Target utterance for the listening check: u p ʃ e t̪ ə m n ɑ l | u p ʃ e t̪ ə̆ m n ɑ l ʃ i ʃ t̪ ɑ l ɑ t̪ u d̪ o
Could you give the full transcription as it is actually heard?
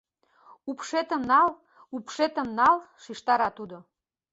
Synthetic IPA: u p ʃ e t̪ ə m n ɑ l | u p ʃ e t̪ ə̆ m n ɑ l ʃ i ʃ t̪ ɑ ɾ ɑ t̪ u d̪ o